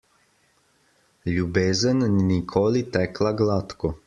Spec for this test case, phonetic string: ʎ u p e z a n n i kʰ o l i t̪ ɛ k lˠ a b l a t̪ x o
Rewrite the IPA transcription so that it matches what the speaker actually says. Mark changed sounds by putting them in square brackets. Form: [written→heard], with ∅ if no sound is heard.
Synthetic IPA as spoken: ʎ u [p→b] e z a n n i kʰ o l i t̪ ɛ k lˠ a [b→ɡ] l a t̪ [x→k] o